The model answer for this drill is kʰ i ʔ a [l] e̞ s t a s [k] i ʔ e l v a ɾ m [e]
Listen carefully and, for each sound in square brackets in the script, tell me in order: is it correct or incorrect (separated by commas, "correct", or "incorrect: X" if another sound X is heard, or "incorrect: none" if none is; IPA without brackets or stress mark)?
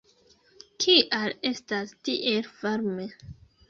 correct, incorrect: t, correct